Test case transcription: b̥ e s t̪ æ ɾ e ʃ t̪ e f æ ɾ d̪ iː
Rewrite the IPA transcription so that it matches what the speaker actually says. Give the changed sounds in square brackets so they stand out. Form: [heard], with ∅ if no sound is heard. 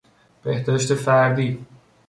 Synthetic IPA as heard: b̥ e [h] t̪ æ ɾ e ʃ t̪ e f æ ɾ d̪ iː